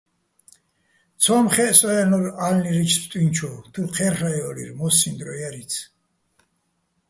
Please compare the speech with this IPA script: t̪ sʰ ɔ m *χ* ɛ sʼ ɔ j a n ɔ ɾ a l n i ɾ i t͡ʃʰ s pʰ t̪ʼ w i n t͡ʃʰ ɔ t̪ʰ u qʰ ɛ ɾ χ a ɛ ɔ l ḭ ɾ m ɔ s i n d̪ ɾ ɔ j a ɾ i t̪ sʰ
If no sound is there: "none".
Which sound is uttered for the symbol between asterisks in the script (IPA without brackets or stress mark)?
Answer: χ